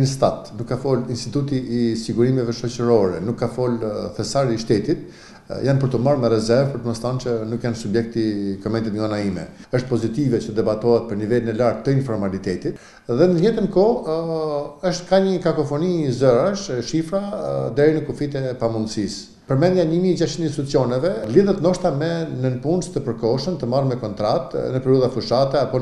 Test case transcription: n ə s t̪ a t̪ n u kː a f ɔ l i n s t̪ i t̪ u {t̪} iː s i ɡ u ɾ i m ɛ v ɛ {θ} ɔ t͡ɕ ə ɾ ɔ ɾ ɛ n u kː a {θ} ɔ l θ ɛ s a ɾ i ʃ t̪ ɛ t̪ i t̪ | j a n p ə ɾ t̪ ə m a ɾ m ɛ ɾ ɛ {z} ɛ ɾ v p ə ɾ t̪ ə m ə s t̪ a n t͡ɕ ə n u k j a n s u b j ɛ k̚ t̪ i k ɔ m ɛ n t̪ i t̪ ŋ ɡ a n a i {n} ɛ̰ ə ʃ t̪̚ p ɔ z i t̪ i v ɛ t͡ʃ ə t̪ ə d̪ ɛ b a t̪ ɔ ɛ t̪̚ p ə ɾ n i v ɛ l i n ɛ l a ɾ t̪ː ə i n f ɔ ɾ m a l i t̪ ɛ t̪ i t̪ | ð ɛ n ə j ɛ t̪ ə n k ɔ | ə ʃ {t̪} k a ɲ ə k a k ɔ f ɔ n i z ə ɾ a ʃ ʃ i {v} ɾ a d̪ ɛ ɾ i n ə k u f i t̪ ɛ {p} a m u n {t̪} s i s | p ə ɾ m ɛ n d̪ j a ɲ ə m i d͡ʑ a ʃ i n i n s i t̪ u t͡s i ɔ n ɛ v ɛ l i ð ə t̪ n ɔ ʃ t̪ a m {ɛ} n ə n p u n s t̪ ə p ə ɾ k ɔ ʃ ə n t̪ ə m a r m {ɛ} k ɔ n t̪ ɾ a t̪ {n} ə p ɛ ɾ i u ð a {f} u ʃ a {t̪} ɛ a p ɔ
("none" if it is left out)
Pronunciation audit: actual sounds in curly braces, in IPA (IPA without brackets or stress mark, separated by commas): t̪, ʃ, f, z, m, t̪, f, p, d̪, ɛ, ɛ, n, f, t̪